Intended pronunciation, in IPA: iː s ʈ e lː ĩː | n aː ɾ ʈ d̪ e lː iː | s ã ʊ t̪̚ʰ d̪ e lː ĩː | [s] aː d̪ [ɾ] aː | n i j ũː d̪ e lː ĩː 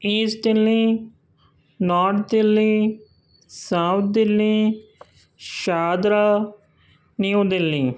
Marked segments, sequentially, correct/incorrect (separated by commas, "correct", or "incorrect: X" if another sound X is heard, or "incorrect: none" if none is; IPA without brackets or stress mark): incorrect: ʃ, correct